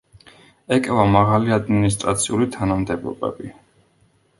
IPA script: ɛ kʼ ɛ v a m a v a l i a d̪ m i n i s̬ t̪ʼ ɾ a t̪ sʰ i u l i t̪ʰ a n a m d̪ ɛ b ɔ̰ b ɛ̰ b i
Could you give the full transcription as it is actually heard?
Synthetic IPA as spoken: ɛ kʼ ɛ v a m a ʁ a l i a d̪ m i n i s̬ t̪ʼ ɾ a t̪ sʰ i u l i t̪ʰ a n a m d̪ ɛ b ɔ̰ b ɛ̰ b i